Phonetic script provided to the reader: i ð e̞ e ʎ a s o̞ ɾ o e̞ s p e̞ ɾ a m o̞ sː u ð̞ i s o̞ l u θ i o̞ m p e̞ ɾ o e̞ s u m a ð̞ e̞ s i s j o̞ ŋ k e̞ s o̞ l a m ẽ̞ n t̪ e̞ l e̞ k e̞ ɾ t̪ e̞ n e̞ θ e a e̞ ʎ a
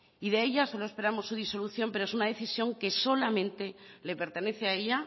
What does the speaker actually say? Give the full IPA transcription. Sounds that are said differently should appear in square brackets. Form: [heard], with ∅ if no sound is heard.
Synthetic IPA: i ð e̞ e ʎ a s o̞ [l] o e̞ s p e̞ ɾ a m o̞ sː u ð̞ i s o̞ l u θ [j] o̞ m p e̞ ɾ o e̞ s u [n] a ð̞ e̞ [θ] i s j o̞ ŋ k e̞ s o̞ l a m ẽ̞ n t̪ e̞ l e̞ [p] e̞ ɾ t̪ e̞ n e̞ θ e a e̞ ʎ a